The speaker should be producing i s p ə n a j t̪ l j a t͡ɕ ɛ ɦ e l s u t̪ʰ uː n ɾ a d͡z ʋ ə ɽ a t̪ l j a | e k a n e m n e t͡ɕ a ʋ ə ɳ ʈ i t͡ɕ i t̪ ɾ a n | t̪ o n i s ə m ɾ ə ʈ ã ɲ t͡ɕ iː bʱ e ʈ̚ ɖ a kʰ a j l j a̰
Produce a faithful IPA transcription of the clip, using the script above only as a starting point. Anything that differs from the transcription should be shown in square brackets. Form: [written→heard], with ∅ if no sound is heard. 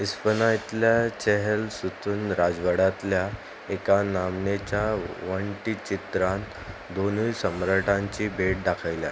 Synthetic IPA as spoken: i s p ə n a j t̪ l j a t͡ɕ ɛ ɦ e l s u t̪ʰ uː n ɾ a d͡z ʋ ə ɽ a t̪ l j a | e k a n [e→a] m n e t͡ɕ a ʋ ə ɳ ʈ i t͡ɕ i t̪ ɾ a n | [t̪→d̪] o n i s ə m ɾ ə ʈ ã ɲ t͡ɕ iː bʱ e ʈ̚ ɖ a kʰ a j l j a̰